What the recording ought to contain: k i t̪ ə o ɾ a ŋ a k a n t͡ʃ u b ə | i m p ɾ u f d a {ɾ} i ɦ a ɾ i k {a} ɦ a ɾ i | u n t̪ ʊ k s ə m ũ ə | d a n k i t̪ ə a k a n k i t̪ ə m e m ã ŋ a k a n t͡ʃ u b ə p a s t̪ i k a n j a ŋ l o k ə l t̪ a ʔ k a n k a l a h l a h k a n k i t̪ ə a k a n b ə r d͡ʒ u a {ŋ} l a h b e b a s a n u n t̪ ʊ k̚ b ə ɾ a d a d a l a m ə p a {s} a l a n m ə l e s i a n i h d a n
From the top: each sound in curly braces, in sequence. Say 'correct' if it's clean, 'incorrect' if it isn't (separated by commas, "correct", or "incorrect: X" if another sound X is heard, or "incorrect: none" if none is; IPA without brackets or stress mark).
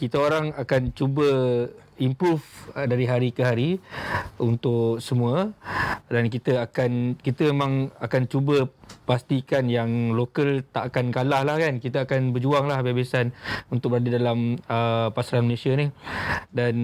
correct, incorrect: ə, correct, correct